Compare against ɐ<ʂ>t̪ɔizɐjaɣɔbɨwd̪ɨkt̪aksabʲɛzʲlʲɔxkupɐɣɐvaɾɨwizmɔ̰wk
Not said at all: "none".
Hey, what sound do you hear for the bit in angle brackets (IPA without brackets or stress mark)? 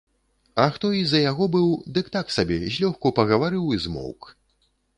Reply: x